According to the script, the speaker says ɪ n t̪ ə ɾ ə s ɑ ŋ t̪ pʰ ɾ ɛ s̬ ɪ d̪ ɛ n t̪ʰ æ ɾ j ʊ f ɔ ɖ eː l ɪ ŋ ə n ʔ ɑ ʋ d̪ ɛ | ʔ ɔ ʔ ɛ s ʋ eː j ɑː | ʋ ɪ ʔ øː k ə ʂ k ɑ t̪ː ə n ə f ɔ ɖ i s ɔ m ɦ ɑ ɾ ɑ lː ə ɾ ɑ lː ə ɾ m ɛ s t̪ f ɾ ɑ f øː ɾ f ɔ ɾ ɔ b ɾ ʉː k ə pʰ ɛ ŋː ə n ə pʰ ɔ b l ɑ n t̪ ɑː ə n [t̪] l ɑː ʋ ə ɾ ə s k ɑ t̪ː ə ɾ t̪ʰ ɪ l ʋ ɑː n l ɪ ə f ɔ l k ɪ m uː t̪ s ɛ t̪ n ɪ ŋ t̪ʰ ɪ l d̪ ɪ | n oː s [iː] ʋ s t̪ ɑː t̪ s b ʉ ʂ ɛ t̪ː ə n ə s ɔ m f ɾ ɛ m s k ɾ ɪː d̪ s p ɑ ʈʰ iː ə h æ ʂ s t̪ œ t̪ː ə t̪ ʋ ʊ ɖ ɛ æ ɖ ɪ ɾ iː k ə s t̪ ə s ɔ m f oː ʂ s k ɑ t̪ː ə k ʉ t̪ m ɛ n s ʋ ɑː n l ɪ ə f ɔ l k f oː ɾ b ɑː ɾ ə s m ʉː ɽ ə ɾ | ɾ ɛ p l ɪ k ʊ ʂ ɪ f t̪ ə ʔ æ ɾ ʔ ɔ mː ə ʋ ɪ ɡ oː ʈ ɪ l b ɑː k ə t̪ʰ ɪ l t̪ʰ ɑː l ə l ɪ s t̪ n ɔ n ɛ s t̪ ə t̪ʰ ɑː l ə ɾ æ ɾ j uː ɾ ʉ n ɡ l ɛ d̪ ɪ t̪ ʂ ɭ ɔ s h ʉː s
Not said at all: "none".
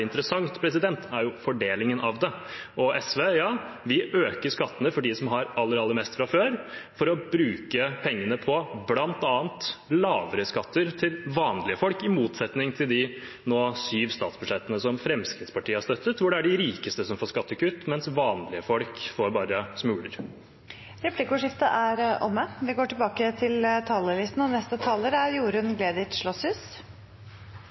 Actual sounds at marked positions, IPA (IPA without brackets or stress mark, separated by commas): t̪, yː